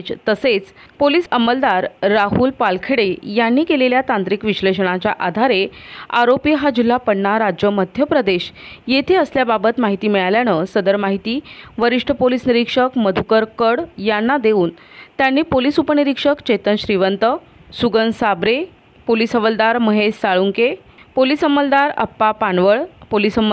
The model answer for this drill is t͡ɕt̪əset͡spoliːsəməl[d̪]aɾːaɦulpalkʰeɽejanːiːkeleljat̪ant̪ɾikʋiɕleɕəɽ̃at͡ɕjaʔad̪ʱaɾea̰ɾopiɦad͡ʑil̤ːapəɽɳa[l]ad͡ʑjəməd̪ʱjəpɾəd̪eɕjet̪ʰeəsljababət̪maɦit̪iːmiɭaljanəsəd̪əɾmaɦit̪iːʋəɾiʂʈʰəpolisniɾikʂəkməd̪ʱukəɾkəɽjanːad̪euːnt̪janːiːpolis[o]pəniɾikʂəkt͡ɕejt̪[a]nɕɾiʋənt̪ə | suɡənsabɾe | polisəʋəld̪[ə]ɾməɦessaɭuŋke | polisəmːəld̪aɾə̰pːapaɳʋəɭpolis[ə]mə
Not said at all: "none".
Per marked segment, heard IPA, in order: d̪, ɾ, u, ə, a, ə

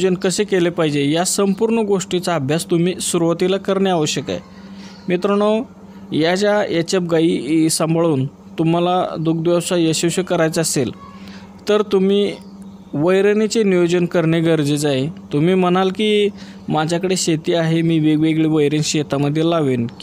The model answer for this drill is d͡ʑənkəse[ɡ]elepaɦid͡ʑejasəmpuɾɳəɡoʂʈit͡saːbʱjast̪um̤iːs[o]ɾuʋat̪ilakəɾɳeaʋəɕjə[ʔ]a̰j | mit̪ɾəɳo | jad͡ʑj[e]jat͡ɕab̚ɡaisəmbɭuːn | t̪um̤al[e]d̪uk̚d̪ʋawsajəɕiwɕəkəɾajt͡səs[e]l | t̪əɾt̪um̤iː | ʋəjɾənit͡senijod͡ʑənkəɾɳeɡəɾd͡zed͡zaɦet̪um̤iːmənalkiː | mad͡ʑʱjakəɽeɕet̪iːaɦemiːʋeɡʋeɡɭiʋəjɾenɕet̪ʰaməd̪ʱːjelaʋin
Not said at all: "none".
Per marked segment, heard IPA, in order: k, u, k, a, a, e

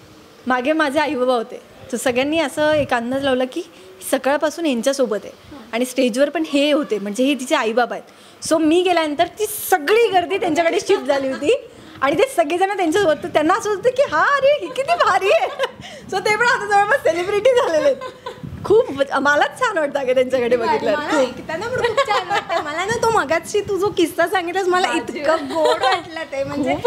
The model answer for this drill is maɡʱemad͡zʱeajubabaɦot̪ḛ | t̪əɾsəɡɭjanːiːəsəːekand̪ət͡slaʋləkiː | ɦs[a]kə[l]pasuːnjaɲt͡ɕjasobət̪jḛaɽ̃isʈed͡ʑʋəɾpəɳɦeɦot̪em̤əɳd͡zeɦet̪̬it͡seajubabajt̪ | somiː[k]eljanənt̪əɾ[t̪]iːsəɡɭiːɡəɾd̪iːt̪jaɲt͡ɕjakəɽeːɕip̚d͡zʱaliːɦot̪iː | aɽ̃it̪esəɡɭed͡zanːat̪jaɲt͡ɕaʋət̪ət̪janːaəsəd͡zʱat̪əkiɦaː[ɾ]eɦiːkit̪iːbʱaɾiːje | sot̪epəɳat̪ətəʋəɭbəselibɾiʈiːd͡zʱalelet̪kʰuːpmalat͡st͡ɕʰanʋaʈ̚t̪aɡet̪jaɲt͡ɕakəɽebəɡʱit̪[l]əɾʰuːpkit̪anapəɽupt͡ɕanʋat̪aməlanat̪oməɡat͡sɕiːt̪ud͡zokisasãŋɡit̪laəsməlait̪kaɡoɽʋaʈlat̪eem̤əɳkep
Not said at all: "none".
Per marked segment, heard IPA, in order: ə, ɭ, ɡ, t̪, ɾ, l

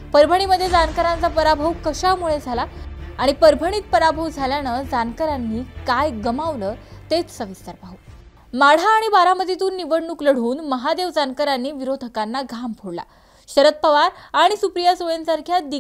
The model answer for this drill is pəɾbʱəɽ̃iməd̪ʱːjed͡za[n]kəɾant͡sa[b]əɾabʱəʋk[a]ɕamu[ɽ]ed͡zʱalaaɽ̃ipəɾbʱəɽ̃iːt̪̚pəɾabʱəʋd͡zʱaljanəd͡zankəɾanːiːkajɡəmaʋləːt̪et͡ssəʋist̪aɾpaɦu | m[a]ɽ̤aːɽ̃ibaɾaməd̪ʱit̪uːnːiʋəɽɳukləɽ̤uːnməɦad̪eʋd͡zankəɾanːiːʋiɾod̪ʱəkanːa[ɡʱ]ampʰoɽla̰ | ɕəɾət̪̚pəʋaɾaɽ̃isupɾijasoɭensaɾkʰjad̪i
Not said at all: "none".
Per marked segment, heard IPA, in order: n, p, ə, ɭ, a, ɡʱ

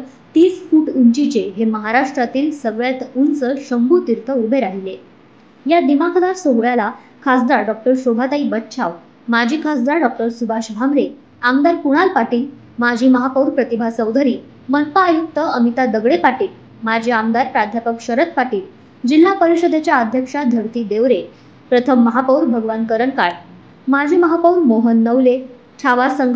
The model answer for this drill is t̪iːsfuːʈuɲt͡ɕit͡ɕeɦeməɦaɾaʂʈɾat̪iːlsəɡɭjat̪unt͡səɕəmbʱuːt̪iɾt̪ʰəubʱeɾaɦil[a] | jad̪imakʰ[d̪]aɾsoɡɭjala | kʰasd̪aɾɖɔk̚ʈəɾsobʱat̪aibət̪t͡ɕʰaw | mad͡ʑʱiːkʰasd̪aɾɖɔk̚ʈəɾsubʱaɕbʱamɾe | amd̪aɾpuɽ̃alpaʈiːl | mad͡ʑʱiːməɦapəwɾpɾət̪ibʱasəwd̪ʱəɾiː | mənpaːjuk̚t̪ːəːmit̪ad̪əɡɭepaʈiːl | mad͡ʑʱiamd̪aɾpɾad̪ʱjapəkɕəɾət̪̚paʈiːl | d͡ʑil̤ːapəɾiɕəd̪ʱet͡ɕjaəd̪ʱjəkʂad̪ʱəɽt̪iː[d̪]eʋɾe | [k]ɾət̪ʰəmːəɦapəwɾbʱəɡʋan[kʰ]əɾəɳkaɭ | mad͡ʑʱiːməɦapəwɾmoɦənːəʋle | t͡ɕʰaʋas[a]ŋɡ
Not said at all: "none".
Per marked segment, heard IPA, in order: e, d̪, d̪, p, k, ə

